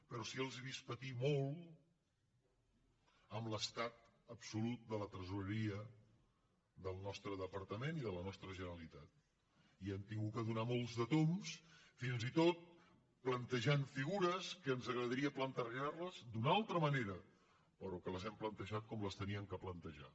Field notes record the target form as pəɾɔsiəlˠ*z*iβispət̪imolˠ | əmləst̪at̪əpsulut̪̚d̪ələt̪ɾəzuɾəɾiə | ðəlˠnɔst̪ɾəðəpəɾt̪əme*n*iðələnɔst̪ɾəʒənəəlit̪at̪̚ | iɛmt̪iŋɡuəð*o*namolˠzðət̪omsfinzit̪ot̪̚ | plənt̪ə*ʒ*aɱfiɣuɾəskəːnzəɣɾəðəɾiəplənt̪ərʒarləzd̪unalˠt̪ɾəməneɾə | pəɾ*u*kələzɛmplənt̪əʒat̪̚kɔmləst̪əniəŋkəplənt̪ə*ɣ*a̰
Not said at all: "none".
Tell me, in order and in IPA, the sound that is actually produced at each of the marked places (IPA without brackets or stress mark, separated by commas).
z, n, u, ʒ, ɔ, ʒ